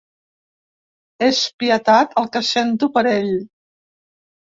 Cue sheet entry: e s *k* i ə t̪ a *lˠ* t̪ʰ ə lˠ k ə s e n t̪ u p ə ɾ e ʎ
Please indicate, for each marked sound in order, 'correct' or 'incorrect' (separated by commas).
incorrect, incorrect